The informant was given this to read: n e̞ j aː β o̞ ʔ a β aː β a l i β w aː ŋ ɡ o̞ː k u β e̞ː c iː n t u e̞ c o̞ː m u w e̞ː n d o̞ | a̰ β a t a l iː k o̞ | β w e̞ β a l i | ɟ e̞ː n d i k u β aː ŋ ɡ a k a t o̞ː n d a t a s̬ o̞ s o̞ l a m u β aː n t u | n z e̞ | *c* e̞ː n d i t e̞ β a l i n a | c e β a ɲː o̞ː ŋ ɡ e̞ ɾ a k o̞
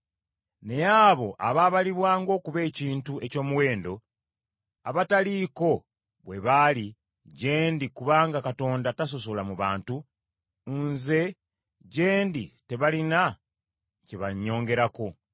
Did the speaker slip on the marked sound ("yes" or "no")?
yes